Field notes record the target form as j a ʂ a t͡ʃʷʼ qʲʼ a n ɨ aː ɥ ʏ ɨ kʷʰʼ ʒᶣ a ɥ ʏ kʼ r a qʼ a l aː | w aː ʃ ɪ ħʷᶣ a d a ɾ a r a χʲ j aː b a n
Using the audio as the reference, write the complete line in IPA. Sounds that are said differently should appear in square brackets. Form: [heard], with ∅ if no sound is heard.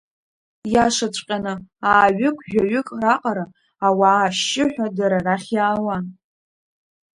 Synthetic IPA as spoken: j a ʂ a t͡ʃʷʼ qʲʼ a n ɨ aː ɥ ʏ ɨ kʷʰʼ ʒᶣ a ɥ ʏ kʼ r a qʼ a [ɾ] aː | w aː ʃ ɪ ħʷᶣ a d a ɾ a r a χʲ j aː [w] a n